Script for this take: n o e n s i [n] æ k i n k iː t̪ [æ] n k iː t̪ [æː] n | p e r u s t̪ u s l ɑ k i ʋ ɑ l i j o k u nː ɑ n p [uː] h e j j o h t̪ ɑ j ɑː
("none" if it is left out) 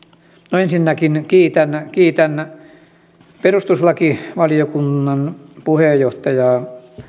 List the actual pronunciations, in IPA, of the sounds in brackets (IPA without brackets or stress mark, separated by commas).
nː, æ, æ, u